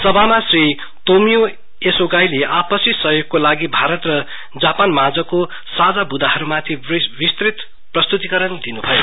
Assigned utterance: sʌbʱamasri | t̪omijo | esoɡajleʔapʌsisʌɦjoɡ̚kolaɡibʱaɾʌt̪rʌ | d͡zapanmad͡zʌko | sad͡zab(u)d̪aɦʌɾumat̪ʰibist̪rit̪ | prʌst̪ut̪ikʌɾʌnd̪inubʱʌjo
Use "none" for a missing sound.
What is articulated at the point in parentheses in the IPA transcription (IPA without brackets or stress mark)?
u